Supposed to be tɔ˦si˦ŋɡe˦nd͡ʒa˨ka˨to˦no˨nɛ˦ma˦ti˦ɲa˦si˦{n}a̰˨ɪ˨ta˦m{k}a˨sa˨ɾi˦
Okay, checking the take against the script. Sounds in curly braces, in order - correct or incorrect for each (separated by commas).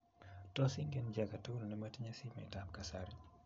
incorrect, correct